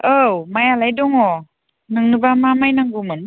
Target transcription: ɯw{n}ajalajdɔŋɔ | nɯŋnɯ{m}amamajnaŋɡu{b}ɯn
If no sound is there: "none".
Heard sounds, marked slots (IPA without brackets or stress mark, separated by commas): m, b, m